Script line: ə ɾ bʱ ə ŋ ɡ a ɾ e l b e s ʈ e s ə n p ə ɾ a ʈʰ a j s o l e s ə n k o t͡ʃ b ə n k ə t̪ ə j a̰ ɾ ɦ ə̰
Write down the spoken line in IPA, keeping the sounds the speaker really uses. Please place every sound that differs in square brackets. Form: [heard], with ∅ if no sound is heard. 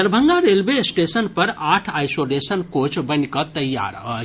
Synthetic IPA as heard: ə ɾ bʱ ə ŋ ɡ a ɾ e l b e s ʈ e s ə n p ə ɾ a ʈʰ a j s o l e s ə n k o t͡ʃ b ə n k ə t̪ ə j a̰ ɾ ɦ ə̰